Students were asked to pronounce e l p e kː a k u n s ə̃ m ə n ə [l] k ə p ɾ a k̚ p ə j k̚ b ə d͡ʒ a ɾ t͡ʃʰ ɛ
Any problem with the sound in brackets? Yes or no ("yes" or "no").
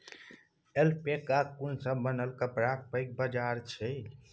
no